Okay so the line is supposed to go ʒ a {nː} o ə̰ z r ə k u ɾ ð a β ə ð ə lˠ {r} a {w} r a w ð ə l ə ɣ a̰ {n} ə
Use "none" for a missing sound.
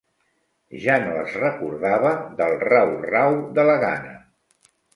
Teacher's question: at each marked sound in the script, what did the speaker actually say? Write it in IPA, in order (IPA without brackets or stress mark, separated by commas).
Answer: n, r, w, n